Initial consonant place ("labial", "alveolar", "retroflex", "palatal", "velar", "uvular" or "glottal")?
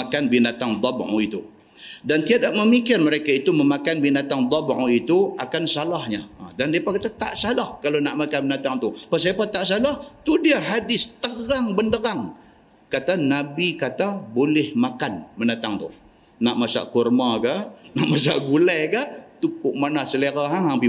velar